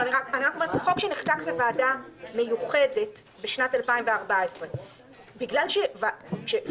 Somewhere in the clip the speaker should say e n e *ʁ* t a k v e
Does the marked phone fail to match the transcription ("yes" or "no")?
yes